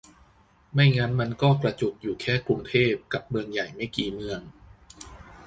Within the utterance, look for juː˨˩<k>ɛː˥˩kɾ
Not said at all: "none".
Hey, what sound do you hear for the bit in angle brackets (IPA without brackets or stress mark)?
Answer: kʰ